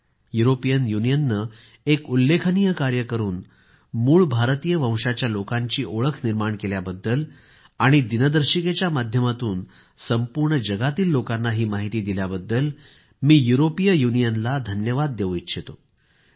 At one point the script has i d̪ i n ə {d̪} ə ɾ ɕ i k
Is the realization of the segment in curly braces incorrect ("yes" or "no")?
no